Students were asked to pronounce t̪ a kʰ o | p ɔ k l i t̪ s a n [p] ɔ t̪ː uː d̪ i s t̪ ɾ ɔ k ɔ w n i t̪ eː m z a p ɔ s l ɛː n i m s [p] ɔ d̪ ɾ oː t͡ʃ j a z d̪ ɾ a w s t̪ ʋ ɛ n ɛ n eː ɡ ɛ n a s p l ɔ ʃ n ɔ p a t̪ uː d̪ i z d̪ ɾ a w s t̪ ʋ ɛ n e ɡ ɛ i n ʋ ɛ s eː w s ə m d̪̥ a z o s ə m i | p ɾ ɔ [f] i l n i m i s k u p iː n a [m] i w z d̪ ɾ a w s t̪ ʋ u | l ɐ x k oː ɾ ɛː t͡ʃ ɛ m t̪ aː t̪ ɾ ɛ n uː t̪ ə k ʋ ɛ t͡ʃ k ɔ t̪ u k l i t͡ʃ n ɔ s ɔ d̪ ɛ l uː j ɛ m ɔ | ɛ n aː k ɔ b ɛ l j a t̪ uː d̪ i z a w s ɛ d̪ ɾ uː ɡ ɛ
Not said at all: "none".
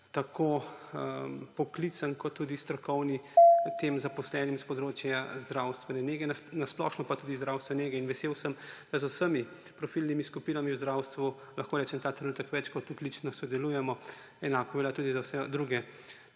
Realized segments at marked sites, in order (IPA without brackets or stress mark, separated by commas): k, p, f, m